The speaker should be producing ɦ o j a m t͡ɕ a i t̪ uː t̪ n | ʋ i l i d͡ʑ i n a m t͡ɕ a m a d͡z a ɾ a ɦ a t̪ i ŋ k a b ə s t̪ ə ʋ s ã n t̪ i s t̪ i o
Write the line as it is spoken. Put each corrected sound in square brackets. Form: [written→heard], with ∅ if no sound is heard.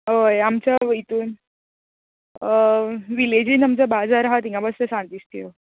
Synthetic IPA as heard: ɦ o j a m t͡ɕ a i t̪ uː [t̪→∅] n | ʋ i l [i→e] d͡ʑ i n a m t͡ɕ a [m→b] a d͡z a ɾ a ɦ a t̪ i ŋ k a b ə s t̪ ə [ʋ→∅] s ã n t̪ i s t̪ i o